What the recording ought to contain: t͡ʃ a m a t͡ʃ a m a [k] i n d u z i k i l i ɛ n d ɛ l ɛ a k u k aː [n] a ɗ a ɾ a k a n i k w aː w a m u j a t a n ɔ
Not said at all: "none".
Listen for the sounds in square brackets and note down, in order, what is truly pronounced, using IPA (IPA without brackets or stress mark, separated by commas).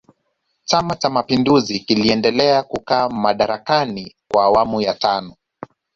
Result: p, m